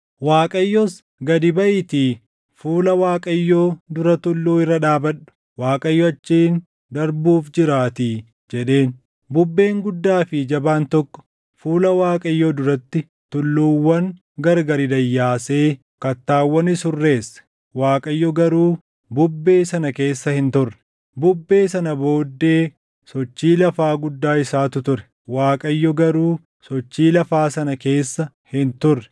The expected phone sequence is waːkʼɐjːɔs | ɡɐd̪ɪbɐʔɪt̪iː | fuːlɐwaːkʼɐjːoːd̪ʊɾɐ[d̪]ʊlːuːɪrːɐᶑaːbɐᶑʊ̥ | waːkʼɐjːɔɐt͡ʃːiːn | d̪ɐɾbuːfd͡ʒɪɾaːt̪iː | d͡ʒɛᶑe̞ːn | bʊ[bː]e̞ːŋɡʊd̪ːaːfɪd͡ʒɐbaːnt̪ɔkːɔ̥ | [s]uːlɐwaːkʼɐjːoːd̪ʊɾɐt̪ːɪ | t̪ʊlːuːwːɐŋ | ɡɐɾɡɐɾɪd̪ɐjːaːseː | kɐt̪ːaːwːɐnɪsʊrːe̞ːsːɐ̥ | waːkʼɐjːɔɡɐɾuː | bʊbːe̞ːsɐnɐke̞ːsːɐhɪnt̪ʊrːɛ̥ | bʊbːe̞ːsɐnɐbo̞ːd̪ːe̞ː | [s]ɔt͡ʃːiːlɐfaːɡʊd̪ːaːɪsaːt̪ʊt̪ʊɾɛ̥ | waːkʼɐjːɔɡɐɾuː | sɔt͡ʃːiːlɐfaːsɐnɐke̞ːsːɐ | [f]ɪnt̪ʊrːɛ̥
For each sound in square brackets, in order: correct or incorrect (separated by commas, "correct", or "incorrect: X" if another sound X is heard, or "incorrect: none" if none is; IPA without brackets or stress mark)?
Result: incorrect: t̪, correct, incorrect: f, correct, incorrect: h